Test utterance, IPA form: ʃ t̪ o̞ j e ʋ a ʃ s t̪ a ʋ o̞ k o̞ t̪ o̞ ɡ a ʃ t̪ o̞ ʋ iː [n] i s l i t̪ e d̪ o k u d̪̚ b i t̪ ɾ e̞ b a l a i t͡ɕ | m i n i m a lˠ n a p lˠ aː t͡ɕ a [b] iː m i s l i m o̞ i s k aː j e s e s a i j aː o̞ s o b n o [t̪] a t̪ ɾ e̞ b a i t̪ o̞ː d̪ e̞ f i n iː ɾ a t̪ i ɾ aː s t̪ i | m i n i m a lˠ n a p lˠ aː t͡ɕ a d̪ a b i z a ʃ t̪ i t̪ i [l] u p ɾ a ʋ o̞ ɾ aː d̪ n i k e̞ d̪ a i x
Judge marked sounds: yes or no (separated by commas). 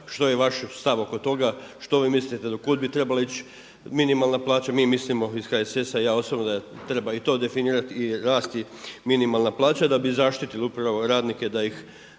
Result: no, no, no, yes